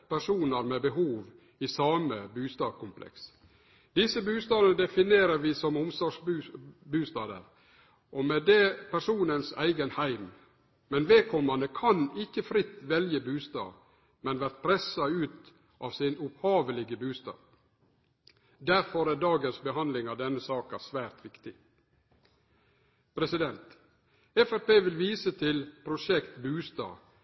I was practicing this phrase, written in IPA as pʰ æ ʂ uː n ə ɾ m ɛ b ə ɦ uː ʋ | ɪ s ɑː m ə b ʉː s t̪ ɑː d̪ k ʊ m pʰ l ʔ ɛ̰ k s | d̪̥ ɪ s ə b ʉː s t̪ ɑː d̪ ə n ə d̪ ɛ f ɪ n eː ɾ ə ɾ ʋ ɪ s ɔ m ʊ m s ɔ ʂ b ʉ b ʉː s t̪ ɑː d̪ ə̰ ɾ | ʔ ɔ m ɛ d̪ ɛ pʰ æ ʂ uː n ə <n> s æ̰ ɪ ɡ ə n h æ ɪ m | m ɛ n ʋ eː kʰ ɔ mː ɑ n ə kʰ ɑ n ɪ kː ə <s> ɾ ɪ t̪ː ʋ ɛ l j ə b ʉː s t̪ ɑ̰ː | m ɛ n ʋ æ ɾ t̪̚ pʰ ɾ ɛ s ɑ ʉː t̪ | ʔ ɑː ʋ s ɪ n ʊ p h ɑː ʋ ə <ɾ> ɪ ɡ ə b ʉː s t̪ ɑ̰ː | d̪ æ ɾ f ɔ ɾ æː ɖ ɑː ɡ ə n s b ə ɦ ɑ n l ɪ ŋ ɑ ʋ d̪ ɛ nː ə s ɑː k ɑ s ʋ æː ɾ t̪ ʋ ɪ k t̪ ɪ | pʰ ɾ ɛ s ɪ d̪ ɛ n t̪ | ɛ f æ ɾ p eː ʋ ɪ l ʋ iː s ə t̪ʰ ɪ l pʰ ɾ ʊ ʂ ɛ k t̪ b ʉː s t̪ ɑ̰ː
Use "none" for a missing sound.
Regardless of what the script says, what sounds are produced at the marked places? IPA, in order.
n, f, l

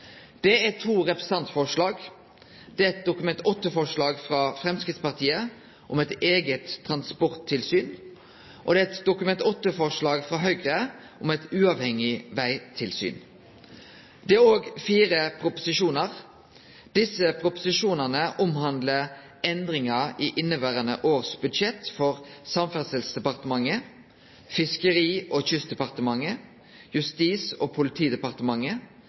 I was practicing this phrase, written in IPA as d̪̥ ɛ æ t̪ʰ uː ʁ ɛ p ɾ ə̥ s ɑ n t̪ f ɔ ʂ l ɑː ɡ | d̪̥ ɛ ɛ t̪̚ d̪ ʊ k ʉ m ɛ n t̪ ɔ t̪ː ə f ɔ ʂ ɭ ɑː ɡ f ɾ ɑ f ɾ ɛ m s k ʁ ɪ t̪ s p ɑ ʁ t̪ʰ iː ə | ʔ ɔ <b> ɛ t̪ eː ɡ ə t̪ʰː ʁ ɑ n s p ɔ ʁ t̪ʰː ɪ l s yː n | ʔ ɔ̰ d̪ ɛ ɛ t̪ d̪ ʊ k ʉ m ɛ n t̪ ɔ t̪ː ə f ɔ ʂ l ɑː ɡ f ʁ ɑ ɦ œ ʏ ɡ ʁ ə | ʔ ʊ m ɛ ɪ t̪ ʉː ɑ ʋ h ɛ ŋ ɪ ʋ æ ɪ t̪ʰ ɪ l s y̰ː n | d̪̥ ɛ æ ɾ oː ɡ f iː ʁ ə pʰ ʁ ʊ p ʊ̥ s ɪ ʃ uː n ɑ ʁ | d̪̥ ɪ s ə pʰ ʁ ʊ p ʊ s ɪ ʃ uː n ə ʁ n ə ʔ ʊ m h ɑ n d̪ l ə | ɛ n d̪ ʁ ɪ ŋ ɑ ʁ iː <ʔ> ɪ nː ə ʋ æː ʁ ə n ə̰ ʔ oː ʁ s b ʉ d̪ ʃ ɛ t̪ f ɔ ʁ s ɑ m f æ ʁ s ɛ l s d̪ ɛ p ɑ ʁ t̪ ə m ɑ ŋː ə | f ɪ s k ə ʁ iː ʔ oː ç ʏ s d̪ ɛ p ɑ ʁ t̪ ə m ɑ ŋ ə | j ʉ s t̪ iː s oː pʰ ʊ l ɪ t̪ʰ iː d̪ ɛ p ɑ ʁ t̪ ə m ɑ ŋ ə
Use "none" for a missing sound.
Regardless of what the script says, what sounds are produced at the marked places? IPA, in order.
m, ʔ

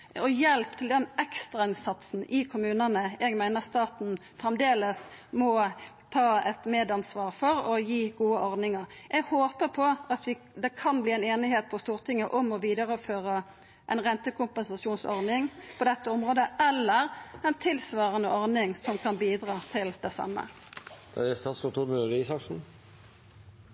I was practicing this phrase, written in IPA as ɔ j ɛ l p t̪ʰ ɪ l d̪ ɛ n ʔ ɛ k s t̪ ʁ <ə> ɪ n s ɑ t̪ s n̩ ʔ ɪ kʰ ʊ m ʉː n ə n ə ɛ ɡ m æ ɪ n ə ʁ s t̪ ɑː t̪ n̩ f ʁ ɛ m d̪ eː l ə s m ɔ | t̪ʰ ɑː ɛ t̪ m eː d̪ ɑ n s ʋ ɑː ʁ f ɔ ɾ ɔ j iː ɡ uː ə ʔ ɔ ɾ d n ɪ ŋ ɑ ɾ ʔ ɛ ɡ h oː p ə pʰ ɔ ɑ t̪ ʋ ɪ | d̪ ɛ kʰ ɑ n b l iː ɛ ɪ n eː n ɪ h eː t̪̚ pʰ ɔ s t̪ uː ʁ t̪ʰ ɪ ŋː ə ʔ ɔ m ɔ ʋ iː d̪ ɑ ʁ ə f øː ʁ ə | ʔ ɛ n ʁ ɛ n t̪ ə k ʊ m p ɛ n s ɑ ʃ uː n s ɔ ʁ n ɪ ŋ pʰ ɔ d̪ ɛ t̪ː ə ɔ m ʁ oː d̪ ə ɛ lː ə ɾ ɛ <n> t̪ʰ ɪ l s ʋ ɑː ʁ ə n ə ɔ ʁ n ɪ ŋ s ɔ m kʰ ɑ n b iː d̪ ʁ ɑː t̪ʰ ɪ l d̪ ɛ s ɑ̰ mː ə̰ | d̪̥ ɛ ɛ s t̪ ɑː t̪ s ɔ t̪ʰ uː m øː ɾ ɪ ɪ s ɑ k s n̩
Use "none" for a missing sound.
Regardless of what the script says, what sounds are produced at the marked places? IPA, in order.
ɑ, n

